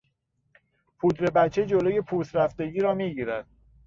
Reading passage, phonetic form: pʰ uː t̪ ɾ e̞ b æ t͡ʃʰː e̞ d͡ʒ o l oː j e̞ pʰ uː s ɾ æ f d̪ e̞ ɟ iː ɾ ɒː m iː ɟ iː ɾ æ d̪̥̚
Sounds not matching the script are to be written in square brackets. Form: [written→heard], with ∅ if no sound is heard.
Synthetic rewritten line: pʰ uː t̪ ɾ e̞ b æ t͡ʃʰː e̞ d͡ʒ o l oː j e̞ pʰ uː s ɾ æ f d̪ e̞ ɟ iː ɾ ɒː m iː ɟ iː ɾ æ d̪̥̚